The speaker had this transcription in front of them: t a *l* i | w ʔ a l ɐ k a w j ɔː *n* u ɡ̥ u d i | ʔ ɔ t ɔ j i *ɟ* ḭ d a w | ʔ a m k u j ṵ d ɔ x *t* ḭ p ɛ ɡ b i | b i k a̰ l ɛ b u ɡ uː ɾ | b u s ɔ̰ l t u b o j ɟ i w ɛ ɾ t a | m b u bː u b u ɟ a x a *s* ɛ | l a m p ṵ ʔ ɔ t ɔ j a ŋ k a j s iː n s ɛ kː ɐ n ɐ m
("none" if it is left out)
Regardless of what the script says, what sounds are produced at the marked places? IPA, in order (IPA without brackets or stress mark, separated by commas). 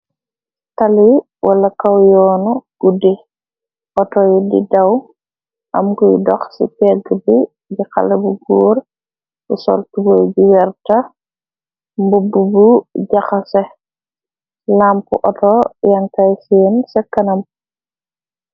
l, n, d, s, s